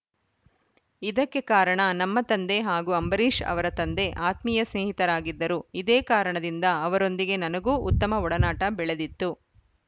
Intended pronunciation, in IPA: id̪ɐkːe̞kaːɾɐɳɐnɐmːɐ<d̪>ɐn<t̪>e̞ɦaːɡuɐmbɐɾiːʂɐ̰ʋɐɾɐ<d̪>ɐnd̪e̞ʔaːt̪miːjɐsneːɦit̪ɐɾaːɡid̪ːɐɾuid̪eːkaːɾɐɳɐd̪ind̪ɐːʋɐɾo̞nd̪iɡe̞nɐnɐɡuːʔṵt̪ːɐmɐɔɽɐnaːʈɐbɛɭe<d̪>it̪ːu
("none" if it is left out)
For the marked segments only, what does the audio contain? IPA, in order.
t̪, d̪, t̪, d̪

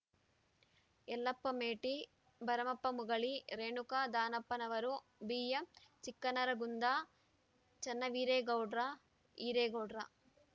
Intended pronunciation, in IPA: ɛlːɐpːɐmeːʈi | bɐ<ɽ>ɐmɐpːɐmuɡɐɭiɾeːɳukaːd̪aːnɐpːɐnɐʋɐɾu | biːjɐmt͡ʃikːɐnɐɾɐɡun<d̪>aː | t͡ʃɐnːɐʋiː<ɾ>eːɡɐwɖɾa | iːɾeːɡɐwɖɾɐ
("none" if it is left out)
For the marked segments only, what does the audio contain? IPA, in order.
ɾ, d̪, ɾ

